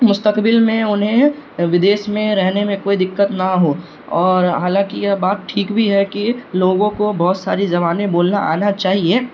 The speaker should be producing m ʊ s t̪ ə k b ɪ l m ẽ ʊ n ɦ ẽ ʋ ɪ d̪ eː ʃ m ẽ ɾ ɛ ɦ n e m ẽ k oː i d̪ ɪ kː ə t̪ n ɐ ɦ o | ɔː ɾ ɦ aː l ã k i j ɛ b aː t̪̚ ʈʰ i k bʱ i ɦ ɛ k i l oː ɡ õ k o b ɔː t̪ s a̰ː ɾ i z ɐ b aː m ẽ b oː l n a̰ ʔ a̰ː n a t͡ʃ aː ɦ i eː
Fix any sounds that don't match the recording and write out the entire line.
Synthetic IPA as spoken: m ʊ s t̪ ə k b ɪ l m ẽ ʊ n ɦ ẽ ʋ ɪ d̪ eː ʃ m ẽ ɾ ɛ ɦ n e m ẽ k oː i d̪ ɪ kː ə t̪ n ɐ ɦ o | ɔː ɾ ɦ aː l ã k i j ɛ b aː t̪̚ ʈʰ iː k bʱ i ɦ ɛ k i l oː ɡ õ k o b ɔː t̪ s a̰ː ɾ i z ɐ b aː n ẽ b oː l n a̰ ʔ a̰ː n a t͡ʃ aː ɦ i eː